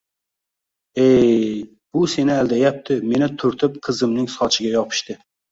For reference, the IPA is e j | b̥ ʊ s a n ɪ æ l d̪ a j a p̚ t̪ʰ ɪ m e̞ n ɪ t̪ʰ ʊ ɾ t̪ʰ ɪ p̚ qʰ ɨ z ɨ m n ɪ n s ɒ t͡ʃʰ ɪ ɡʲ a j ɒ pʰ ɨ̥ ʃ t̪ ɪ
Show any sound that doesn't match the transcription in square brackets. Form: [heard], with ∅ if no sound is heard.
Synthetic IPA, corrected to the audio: e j | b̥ ʊ s [e] n ɪ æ l d̪ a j a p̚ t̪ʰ ɪ m e̞ n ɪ t̪ʰ ʊ ɾ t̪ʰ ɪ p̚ qʰ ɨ z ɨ m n ɪ [ŋ] s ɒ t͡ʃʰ ɪ ɡʲ a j ɒ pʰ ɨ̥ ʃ t̪ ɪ